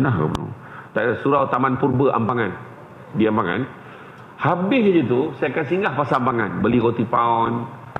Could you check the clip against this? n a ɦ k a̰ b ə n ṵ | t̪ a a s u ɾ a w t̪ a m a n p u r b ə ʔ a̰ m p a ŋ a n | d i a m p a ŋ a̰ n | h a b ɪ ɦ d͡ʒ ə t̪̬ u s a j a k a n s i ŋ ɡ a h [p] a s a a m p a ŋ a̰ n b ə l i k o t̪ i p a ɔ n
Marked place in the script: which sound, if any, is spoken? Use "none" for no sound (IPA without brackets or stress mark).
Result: p